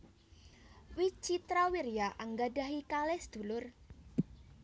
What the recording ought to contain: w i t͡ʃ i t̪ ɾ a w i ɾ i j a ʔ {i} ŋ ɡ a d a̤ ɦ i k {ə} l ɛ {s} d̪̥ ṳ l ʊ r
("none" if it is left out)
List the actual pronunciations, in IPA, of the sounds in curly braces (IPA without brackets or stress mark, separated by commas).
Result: a, a, s